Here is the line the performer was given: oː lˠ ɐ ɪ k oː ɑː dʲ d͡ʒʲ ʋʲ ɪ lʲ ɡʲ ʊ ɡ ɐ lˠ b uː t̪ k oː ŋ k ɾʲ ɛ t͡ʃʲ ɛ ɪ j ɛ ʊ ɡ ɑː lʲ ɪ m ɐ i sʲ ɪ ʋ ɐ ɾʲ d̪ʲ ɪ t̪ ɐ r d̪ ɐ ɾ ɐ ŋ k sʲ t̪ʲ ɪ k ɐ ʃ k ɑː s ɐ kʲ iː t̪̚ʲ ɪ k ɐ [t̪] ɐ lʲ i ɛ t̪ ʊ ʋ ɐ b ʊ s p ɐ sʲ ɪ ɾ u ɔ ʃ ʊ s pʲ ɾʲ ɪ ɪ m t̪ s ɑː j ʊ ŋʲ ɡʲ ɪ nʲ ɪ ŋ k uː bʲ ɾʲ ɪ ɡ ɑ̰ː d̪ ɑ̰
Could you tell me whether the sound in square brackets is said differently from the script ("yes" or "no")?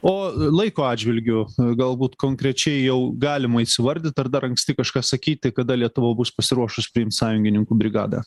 yes